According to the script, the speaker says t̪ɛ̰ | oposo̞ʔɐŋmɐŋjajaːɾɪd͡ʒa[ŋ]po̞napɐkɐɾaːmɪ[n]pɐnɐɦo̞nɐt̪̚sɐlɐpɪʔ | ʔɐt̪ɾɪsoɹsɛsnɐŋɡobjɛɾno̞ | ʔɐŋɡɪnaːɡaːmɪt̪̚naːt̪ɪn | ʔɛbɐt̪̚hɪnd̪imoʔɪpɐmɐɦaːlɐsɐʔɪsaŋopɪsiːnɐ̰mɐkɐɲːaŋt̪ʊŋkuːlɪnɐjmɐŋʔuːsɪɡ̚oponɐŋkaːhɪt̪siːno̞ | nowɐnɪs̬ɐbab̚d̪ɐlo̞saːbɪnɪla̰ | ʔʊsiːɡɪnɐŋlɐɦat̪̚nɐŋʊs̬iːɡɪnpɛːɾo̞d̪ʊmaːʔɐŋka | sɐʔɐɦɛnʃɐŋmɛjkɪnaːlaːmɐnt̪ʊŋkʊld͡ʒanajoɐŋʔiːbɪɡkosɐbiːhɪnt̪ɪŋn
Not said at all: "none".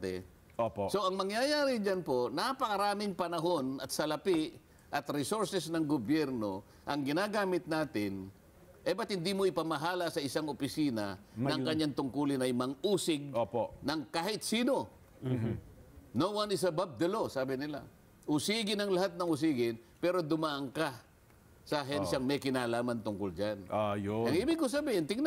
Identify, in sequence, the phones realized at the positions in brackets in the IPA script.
n, ŋ

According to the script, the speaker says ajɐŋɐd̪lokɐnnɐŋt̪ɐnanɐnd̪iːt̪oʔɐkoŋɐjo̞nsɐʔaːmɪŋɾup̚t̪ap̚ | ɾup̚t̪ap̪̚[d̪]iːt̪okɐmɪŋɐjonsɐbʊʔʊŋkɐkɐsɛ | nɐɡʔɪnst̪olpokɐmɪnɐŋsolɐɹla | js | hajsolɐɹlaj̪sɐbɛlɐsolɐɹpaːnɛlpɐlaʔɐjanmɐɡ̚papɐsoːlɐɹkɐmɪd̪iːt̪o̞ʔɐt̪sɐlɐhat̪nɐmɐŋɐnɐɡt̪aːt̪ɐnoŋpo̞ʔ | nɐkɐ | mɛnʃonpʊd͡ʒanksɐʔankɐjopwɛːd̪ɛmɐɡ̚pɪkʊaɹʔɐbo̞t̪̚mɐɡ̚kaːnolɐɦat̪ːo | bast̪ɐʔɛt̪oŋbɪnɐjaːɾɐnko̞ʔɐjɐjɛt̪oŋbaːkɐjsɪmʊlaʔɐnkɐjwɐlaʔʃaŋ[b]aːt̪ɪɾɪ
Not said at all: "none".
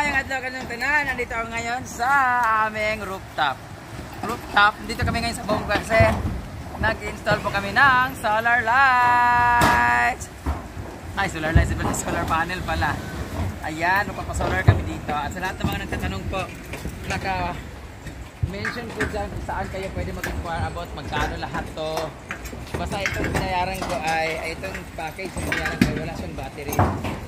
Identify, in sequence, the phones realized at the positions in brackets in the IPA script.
d̪, b

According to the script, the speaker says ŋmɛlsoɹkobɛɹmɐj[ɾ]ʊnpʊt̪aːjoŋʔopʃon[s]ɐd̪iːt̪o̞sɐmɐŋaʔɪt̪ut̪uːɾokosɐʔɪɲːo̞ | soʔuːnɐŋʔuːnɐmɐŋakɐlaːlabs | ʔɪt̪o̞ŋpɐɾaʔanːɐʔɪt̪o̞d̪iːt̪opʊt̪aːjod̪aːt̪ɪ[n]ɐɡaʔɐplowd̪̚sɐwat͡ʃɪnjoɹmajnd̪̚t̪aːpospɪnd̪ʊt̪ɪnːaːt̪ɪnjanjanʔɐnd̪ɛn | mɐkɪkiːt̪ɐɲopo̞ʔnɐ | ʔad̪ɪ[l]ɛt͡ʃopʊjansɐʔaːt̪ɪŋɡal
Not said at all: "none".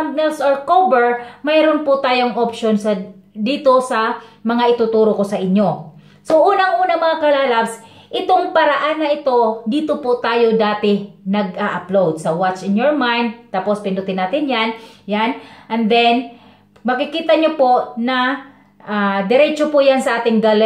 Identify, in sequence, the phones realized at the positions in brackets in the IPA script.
ɾ, s, n, ɾ

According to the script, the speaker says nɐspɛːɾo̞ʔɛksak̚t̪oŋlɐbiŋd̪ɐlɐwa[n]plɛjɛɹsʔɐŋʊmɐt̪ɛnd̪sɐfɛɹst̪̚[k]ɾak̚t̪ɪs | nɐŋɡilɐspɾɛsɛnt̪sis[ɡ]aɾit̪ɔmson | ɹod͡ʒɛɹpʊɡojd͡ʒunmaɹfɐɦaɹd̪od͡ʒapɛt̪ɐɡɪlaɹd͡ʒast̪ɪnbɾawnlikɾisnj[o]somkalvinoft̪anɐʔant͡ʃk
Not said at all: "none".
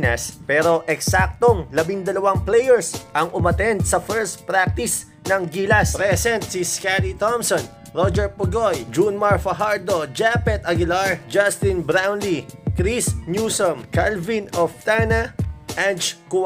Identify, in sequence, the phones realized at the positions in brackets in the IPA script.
ŋ, p, k, u

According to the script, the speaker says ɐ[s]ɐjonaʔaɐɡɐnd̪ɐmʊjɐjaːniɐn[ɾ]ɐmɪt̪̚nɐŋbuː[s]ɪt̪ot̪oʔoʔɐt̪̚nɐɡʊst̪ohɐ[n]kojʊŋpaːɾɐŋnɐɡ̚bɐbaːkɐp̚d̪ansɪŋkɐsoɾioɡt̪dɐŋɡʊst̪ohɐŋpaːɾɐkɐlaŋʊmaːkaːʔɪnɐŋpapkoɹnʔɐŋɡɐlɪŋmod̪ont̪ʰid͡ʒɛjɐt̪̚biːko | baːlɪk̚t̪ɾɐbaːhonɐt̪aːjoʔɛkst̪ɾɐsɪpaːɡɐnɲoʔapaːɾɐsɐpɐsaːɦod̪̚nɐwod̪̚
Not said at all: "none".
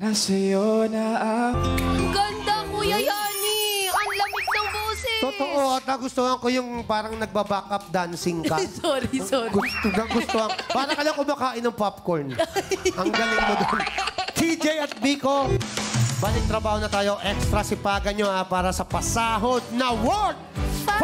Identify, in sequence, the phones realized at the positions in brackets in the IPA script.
s, l, s, ŋ

